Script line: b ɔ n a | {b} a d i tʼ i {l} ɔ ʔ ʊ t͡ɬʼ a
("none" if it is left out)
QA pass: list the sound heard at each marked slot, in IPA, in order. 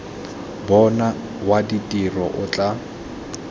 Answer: w, r

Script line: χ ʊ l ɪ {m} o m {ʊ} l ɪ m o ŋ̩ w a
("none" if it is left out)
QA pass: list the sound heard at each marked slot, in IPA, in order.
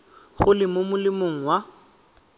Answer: m, ʊ

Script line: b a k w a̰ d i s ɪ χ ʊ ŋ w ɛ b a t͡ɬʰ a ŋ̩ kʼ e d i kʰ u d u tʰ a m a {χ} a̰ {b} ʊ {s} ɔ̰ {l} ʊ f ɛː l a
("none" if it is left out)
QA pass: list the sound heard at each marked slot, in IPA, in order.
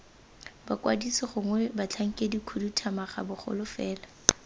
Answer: χ, b, χ, l

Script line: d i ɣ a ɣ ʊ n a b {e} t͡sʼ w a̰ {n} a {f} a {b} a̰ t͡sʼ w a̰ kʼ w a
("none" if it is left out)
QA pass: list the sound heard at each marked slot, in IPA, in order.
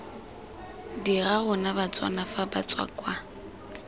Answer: a, n, f, b

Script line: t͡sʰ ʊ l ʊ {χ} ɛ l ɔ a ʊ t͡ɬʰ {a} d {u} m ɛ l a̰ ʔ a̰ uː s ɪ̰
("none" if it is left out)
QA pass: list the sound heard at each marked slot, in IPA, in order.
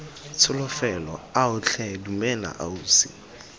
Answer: f, ɛ, u

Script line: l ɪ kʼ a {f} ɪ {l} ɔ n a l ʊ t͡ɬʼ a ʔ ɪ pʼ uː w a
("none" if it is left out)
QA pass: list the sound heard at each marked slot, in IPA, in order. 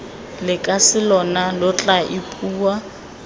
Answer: s, l

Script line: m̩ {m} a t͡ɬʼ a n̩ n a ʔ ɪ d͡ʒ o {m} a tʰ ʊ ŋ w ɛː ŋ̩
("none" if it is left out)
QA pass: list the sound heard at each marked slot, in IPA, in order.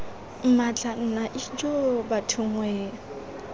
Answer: m, b

